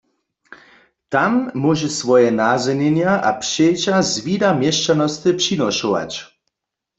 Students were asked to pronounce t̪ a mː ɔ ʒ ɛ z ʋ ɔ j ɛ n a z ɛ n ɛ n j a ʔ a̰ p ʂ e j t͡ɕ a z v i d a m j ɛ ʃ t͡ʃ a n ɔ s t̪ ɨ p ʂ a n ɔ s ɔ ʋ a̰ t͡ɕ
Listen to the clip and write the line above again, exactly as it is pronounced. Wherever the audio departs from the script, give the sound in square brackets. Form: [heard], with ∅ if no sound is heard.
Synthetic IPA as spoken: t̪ a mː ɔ ʒ ɛ [s] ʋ ɔ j ɛ n a z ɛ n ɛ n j a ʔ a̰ p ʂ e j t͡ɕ a z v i d a m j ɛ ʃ t͡ʃ a n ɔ s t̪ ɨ p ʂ [i] n ɔ [ʃ] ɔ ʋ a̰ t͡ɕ